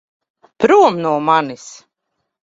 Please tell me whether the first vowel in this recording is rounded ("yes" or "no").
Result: yes